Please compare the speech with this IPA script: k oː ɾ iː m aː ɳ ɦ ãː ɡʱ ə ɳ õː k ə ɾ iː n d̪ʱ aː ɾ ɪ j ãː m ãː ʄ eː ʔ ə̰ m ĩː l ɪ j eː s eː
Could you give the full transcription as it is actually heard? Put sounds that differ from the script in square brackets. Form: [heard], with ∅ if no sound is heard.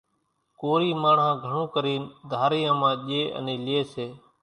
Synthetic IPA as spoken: k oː ɾ iː m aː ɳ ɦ ãː ɡʱ ə ɳ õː k ə ɾ iː n d̪ʱ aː ɾ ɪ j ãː m ãː ʄ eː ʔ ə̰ [n] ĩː l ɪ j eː s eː